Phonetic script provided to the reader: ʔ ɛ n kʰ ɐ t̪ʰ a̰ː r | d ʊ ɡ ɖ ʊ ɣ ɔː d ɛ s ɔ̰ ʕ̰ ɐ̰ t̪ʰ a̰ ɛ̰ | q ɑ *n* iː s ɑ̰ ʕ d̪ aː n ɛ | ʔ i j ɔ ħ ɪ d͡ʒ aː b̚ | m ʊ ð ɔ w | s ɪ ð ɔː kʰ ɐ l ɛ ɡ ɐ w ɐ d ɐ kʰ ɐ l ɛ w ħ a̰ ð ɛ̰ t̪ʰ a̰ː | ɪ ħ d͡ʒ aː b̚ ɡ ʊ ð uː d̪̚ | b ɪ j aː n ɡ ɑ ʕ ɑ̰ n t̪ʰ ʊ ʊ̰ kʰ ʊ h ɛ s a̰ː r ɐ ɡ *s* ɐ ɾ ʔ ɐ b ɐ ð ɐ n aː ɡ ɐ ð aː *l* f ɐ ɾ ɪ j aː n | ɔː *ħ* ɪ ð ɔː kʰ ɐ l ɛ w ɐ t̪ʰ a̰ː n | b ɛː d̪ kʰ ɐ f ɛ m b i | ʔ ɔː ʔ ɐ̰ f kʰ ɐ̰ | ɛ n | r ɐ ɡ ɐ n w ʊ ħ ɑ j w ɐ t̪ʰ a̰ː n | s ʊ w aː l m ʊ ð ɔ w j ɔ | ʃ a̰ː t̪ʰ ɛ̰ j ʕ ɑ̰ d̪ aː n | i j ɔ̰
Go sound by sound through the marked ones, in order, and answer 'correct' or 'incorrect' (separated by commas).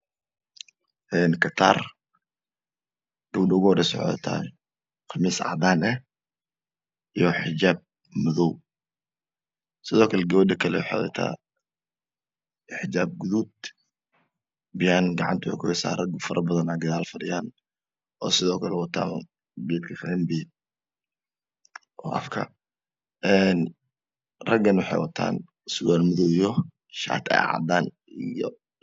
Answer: incorrect, incorrect, correct, incorrect